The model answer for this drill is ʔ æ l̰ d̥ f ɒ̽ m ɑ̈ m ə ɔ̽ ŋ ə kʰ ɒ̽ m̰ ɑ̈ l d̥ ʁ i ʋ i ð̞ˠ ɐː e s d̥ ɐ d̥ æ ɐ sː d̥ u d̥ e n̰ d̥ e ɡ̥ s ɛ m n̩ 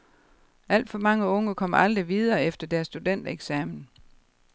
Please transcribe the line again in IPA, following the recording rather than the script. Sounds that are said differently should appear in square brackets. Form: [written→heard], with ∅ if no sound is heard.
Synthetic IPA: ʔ æ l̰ d̥ f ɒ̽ m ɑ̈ [m→ŋ] ə ɔ̽ ŋ ə kʰ ɒ̽ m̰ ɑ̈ l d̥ ʁ i ʋ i ð̞ˠ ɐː e [s→f] d̥ ɐ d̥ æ ɐ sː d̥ u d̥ e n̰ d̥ e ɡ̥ s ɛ m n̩